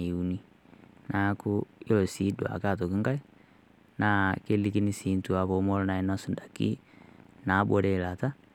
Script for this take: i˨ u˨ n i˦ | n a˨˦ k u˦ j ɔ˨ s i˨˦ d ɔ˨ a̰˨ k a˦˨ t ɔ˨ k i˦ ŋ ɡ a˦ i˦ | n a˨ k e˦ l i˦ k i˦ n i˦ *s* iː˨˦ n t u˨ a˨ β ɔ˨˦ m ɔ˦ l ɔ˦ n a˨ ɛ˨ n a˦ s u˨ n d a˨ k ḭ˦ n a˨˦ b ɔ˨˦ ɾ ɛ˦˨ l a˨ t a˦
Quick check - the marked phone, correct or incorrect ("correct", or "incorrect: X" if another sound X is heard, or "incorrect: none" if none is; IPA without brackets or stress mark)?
correct